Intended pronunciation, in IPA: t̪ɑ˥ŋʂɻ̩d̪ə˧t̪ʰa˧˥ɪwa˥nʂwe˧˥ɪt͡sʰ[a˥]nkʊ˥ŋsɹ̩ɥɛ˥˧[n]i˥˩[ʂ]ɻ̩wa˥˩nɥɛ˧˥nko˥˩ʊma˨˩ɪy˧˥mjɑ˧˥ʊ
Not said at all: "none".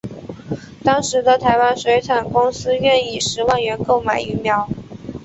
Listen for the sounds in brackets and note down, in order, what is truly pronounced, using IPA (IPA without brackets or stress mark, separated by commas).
a˨˩, n, ʂ